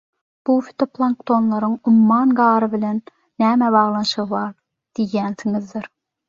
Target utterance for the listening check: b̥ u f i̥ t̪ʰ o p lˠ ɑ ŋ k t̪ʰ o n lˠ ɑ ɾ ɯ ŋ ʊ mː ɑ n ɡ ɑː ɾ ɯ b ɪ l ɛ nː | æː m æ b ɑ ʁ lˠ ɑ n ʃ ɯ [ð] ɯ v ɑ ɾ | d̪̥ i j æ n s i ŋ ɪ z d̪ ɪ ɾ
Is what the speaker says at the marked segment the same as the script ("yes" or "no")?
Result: no